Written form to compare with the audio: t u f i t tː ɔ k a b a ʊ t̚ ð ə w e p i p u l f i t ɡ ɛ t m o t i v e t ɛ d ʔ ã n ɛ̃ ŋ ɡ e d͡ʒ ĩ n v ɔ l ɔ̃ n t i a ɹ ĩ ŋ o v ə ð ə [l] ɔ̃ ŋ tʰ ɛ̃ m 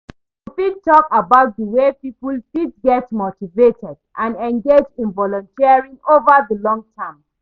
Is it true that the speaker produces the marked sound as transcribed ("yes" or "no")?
yes